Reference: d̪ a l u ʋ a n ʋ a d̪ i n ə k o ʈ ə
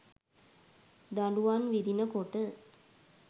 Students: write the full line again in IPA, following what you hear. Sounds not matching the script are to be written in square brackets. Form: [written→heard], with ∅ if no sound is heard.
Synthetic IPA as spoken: d̪ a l u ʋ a n ʋ [a→i] d̪ i n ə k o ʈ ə